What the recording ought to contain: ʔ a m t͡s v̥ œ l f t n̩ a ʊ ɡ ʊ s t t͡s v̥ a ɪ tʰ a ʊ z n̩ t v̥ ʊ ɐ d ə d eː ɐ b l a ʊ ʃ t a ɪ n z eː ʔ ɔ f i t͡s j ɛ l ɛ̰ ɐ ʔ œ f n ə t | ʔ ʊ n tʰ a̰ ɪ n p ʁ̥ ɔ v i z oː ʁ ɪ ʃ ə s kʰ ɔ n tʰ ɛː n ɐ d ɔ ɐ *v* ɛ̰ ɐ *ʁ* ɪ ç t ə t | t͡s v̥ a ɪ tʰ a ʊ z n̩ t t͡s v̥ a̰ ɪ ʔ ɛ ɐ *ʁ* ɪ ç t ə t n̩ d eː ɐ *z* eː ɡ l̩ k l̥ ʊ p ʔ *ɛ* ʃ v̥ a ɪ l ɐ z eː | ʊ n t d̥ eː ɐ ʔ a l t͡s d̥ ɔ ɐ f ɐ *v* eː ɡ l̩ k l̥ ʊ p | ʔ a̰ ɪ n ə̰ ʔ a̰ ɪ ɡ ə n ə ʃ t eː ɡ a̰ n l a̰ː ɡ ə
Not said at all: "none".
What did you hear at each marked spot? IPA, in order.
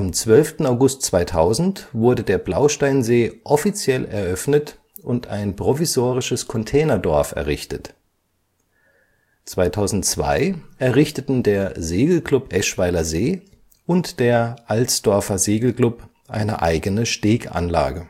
f, ʁ, ʁ, z, ɛ, z

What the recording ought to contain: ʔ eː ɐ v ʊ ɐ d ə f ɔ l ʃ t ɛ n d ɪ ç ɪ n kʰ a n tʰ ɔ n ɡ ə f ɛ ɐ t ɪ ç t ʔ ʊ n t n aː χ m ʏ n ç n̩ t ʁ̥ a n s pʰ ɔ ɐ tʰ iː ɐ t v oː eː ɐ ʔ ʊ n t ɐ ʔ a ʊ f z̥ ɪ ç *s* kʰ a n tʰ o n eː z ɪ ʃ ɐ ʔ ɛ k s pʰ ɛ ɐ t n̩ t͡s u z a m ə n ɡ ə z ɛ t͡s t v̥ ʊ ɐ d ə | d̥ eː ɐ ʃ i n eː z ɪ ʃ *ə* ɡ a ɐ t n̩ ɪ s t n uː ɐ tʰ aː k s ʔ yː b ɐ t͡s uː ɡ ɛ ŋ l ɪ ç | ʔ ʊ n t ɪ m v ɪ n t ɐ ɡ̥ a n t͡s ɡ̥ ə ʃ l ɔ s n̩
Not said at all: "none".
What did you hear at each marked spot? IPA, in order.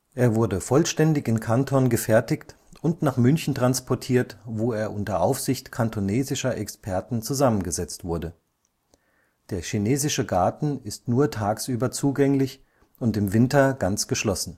t, ə

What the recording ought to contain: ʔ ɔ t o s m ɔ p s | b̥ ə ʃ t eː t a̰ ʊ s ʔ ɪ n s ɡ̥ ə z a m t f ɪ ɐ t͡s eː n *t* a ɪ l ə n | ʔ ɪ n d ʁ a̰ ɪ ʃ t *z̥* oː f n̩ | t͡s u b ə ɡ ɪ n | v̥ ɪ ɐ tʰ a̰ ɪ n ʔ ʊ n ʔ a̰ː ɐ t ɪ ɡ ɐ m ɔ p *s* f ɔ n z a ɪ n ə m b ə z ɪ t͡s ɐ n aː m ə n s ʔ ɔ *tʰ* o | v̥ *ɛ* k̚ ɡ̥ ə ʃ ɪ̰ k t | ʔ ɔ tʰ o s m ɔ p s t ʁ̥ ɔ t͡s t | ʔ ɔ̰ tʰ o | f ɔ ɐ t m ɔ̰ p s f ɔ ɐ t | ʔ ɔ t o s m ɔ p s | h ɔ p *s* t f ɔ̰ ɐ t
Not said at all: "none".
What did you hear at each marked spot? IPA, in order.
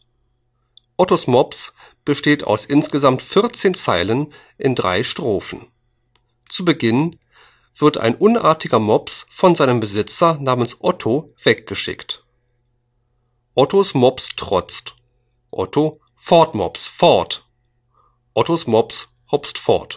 t͡s, ʁ̥, s, tʰ, ɛ, s

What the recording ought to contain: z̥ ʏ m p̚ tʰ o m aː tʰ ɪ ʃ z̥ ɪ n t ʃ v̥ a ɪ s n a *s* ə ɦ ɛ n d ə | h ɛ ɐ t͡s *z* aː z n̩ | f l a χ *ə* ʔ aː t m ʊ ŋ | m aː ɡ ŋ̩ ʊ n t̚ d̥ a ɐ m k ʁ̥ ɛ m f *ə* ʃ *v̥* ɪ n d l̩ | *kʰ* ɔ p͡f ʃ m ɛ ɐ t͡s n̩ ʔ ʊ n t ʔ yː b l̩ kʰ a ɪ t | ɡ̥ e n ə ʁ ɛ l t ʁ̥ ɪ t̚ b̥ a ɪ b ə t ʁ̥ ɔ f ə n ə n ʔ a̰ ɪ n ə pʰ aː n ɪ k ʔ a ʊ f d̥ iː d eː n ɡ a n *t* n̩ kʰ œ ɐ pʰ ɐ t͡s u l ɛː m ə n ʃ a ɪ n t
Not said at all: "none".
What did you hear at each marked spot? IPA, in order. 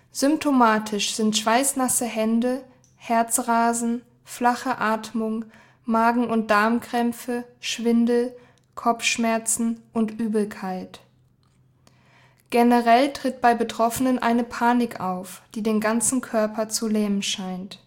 s, ʁ, ə, ə, v̥, kʰ, t͡s

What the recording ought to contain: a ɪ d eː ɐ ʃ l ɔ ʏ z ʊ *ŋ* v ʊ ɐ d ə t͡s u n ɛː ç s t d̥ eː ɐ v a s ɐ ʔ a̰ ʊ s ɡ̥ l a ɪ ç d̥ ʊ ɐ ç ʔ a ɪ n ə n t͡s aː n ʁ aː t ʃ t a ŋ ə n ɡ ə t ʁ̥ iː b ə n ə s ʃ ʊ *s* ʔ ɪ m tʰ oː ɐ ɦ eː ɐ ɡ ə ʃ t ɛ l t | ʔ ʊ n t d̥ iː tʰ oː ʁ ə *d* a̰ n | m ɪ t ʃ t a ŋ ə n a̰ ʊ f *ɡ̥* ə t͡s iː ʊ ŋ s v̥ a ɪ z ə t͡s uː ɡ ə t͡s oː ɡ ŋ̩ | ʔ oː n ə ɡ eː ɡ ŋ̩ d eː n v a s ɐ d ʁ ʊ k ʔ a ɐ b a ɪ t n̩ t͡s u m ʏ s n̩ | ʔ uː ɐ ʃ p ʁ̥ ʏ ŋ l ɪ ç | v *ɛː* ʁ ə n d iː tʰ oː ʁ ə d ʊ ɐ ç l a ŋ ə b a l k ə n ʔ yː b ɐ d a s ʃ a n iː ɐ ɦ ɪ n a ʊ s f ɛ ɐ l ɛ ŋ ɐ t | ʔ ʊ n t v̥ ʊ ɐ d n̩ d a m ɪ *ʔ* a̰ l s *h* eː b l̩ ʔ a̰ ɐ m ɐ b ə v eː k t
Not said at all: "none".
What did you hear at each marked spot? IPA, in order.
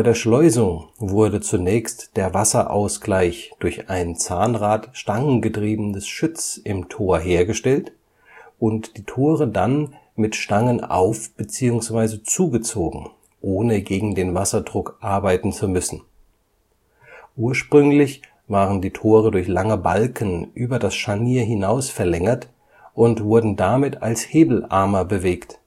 ŋ, t͡s, d, b̥, aː, t, h

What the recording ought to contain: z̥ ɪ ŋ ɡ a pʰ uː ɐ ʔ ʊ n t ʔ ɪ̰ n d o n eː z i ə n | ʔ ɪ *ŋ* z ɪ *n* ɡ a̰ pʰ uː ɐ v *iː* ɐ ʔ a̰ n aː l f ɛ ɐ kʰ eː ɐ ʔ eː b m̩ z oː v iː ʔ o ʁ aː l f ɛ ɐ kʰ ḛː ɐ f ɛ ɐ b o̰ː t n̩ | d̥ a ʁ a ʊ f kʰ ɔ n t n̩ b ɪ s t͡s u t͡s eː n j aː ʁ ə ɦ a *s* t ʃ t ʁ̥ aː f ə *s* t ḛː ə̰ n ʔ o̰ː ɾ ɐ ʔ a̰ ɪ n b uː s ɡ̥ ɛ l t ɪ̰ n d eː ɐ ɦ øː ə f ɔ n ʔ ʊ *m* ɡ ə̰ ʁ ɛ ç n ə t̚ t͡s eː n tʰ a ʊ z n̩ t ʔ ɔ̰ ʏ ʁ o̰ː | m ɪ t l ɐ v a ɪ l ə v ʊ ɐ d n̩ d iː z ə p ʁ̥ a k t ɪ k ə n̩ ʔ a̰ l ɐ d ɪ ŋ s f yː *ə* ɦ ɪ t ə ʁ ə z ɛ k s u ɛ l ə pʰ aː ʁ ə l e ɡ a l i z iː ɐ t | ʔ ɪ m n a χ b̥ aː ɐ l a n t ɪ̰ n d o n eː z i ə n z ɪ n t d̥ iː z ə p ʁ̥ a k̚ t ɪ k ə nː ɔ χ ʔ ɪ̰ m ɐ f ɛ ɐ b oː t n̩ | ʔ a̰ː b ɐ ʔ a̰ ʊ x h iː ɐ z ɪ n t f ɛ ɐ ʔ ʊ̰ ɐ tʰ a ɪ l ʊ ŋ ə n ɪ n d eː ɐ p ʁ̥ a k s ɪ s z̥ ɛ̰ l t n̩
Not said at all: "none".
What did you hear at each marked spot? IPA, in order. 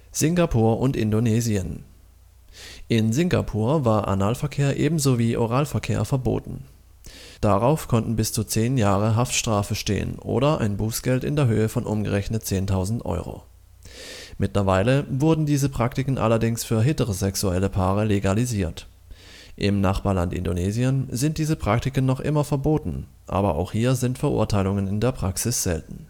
n, ŋ, aː, f, ʃ, m, ɐ

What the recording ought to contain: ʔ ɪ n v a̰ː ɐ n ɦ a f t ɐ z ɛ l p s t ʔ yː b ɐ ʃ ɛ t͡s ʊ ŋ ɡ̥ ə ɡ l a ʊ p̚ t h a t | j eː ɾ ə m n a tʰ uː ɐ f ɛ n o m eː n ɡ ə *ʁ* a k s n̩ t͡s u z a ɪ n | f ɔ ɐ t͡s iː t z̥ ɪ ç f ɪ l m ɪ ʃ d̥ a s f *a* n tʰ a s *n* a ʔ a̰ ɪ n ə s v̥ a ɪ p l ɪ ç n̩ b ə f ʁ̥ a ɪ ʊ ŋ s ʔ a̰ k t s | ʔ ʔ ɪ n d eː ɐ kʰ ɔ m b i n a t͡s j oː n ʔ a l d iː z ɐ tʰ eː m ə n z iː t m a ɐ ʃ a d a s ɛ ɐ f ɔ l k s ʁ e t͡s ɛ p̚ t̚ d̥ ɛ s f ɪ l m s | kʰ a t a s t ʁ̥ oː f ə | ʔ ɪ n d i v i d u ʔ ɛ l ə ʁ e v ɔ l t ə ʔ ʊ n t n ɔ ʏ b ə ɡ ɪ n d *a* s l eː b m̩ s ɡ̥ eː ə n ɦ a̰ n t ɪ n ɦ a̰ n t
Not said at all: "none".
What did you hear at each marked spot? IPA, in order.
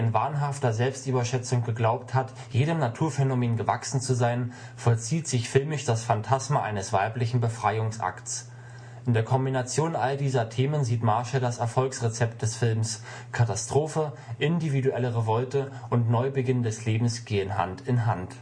v, a, m, ɛ

